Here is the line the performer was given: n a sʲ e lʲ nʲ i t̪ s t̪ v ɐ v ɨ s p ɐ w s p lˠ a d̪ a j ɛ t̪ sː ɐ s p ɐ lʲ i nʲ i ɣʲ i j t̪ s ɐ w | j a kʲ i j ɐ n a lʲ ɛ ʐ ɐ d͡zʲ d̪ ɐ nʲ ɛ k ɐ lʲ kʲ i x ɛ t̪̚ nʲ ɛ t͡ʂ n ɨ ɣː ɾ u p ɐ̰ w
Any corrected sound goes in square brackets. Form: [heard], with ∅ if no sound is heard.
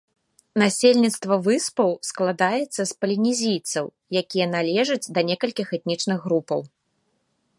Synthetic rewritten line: n a sʲ e lʲ nʲ i t̪ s t̪ v ɐ v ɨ s p ɐ w s [k] lˠ a d̪ a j ɛ t̪ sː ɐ s p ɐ lʲ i nʲ i [zʲ] i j t̪ s ɐ w | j a kʲ i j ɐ n a lʲ ɛ ʐ ɐ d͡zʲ d̪ ɐ nʲ ɛ k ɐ lʲ kʲ i x ɛ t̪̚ nʲ [i] t͡ʂ n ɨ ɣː ɾ u p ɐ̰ w